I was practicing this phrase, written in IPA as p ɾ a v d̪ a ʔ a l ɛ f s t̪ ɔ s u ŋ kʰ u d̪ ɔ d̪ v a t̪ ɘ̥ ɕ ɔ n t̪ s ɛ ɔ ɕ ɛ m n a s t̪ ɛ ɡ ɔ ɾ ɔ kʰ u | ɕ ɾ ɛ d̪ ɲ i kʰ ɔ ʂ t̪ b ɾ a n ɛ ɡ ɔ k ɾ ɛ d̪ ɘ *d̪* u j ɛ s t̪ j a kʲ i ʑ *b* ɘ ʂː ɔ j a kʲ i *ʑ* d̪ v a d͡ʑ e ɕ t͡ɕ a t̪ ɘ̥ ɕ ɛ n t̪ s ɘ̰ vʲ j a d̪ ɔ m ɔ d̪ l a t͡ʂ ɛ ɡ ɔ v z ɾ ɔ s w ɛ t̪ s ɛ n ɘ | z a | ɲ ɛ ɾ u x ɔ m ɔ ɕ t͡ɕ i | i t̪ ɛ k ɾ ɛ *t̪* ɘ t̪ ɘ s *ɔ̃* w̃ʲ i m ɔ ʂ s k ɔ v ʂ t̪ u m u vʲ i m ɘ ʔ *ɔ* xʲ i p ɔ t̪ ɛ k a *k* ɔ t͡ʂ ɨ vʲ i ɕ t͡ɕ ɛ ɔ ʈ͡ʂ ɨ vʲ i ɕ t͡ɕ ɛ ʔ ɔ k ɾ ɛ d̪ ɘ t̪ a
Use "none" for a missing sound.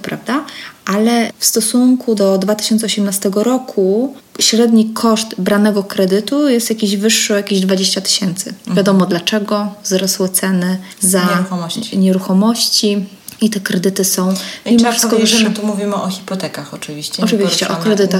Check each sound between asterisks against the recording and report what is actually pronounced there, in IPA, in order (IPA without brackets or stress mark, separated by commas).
t̪, v, ʑ, d̪, ɔ̃, ɔ, x